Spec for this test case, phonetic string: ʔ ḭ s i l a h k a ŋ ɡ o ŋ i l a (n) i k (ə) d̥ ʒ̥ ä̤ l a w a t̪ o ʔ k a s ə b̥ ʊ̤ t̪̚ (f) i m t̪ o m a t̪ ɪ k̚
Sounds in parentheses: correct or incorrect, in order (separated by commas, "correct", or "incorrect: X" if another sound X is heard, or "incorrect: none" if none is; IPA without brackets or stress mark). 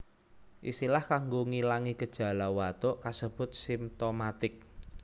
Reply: incorrect: ŋ, correct, incorrect: s